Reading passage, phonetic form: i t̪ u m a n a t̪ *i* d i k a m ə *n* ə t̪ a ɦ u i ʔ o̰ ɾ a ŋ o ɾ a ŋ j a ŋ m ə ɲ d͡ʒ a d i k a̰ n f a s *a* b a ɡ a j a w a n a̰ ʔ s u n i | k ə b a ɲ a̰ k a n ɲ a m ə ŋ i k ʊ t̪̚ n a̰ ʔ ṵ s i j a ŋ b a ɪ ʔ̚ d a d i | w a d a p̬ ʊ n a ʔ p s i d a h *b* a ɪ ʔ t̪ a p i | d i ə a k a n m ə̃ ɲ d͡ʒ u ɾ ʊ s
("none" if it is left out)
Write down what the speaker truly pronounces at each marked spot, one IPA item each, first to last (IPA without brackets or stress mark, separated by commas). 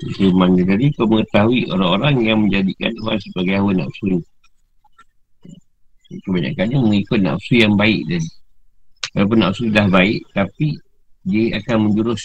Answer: a, ŋ, ə, b